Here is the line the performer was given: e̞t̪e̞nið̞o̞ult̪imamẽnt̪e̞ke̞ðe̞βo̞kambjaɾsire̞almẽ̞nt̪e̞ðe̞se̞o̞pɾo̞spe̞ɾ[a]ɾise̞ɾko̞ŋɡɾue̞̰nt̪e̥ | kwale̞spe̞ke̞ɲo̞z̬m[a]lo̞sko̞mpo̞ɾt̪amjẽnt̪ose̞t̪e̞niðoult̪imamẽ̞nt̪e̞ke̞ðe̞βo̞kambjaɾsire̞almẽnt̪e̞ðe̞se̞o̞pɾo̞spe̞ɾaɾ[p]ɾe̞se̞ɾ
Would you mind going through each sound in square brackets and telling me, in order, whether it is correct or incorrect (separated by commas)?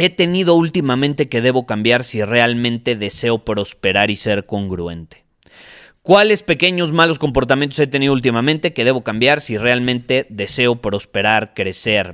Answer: correct, correct, incorrect